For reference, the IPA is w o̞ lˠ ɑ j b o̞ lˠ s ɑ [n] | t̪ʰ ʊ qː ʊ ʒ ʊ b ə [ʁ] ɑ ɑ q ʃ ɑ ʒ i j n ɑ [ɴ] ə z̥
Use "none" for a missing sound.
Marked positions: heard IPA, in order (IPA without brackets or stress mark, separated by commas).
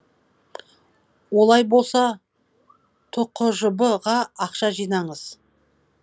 none, ʁ, ɴ